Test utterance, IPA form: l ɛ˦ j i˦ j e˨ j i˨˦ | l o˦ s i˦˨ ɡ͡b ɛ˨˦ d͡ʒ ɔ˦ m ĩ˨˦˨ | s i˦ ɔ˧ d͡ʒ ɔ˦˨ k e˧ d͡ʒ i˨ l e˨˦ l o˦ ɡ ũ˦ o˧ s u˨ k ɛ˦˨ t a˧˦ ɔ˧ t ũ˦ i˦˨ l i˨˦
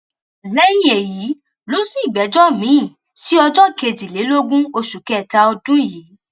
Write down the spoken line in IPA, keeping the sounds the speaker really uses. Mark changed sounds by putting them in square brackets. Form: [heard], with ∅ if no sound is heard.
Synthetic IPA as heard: l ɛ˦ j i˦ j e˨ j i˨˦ | l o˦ s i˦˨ ɡ͡b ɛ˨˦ d͡ʒ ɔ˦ m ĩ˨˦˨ | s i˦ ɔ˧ d͡ʒ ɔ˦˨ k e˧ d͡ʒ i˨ l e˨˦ l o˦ ɡ ũ˦ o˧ [ʃ] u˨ k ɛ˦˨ t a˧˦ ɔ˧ [d] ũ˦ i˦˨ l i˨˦